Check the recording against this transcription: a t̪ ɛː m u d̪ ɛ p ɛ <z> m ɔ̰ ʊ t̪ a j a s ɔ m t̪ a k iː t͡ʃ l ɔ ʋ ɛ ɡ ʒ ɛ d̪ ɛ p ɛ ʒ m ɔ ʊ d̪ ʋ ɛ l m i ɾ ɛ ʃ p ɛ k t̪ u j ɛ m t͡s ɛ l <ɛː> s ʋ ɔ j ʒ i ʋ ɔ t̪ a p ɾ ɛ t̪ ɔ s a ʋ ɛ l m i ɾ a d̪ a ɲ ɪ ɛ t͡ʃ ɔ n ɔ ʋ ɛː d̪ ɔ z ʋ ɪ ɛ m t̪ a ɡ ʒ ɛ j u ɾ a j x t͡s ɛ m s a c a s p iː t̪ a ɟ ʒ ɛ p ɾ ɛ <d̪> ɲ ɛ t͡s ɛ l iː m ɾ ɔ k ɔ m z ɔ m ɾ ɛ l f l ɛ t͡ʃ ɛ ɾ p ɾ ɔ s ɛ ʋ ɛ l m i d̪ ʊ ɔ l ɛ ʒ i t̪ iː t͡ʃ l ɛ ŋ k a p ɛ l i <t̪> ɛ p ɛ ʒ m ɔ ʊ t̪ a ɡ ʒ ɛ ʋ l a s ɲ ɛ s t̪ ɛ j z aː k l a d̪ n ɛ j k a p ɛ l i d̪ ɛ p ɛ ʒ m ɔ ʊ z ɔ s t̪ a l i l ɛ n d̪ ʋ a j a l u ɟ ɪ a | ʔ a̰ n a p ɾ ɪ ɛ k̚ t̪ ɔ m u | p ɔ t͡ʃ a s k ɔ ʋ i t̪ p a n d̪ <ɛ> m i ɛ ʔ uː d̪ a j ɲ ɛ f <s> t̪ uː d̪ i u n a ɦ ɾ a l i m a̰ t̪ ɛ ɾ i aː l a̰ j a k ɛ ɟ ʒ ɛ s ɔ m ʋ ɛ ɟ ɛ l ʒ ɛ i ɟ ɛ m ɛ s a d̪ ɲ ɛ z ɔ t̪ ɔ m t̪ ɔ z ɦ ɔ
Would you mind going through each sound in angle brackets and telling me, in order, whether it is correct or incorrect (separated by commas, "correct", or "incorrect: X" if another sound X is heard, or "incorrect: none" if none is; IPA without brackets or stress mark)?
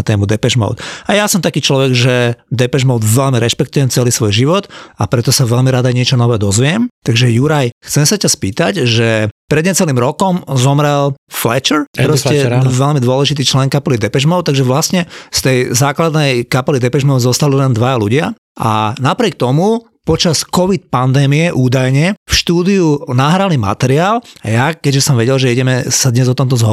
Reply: incorrect: ʒ, incorrect: iː, correct, incorrect: d̪, incorrect: ɛː, incorrect: ʃ